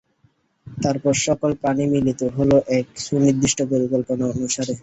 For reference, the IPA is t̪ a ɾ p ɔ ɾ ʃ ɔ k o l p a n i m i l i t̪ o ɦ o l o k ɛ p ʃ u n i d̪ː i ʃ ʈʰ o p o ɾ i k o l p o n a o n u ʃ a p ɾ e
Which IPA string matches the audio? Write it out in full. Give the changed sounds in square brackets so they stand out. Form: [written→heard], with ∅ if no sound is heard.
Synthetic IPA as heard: t̪ a ɾ p ɔ ɾ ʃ ɔ k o l p a n i m i l i t̪ o ɦ o l o [k→ʔ] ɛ [p→k] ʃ u n i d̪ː i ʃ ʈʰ o p o ɾ i k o l p o n a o n u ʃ a [p→∅] ɾ e